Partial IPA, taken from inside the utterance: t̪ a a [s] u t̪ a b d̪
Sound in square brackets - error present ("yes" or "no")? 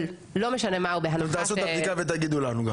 no